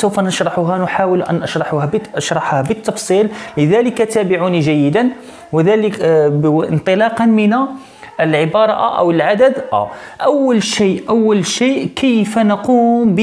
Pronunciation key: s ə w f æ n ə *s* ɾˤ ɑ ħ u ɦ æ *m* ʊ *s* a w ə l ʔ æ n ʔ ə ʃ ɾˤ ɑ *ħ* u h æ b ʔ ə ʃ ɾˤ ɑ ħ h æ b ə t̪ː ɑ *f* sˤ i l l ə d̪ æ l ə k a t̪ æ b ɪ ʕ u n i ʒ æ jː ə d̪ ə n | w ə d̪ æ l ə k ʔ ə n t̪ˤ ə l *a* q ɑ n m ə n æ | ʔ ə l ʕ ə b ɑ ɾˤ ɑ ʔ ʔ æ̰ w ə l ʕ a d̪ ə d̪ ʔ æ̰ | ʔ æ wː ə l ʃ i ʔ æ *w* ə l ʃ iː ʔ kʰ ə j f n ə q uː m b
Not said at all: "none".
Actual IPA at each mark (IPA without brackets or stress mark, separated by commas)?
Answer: ʃ, n, ħ, ħ, f, ɑ, wː